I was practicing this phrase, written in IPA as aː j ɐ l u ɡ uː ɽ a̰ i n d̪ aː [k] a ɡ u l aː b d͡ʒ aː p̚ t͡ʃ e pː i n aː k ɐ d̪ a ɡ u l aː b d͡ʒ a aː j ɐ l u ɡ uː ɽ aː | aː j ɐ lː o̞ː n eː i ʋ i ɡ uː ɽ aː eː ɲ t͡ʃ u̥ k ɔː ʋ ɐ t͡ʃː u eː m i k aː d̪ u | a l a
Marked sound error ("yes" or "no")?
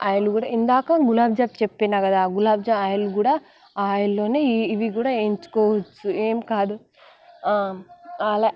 no